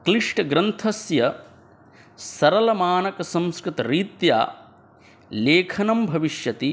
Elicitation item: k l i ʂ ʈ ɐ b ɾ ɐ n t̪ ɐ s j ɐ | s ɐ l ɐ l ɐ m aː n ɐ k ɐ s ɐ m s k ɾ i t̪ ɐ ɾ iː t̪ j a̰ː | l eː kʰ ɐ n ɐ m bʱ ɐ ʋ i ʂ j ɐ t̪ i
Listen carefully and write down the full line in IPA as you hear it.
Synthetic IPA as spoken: k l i ʂ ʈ ɐ ɡ ɾ ɐ n t̪ʰ ɐ s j ɐ | s ɐ ɾ ɐ l ɐ m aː n ɐ k ɐ s ɐ m s k ɾ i t̪ ɐ ɾ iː t̪ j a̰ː | l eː kʰ ɐ n ɐ m bʱ ɐ ʋ i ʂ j ɐ t̪ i